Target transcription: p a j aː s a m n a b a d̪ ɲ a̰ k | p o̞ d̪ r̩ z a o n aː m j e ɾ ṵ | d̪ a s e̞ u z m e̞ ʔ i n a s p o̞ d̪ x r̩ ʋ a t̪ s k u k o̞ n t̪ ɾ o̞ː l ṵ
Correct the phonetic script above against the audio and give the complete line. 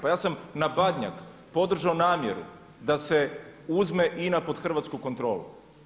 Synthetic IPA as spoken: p a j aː s a m n a b a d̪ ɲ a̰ k | p o̞ d̪ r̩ ʒ a o n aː m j e ɾ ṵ | d̪ a s e̞ u z m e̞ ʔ i n a p o̞ d̪ x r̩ ʋ a t̪ s k u k o̞ n t̪ ɾ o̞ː l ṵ